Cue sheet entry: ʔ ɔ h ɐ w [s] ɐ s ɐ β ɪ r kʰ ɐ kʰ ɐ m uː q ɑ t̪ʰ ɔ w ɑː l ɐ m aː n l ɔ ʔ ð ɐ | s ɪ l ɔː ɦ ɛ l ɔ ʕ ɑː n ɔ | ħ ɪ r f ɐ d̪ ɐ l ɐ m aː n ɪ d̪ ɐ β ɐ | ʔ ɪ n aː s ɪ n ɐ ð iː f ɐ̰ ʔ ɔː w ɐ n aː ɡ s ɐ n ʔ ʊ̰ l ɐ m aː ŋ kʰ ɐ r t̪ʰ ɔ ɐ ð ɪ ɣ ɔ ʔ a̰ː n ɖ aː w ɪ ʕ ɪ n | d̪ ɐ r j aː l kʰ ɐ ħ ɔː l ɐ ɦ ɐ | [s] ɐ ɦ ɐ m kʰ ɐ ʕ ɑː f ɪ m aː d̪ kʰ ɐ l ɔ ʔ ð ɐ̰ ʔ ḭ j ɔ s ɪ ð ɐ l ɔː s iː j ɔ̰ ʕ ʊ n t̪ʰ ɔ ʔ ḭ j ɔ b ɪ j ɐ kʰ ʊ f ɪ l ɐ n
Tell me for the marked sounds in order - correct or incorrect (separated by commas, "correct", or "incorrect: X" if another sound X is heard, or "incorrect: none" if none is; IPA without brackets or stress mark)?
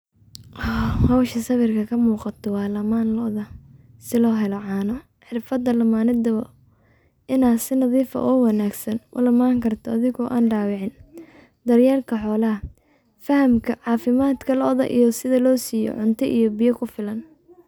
incorrect: ʃ, incorrect: f